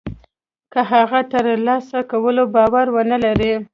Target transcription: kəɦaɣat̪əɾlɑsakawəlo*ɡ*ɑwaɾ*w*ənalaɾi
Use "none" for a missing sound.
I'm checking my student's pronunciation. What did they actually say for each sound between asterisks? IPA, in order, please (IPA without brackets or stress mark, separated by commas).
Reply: b, w